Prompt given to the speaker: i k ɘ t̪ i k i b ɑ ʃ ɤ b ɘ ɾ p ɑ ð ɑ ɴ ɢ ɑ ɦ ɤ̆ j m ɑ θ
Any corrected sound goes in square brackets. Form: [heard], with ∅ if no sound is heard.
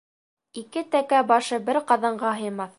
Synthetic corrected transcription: i k ɘ t̪ [æ] k [æ] b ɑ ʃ ɤ b ɘ ɾ [q] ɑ ð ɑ ɴ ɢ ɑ ɦ ɤ̆ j m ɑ θ